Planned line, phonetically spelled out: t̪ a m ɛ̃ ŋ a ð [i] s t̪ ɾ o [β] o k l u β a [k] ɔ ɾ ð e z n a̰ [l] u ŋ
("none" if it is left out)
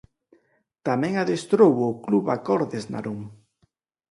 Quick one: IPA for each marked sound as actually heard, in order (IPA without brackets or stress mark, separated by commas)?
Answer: e, w, k, ɾ